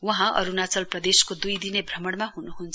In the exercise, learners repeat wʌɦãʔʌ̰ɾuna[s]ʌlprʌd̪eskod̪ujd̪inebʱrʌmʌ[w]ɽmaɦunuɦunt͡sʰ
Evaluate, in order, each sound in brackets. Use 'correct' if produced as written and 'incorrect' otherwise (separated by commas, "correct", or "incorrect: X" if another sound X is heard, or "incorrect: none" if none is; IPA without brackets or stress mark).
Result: incorrect: t͡s, incorrect: none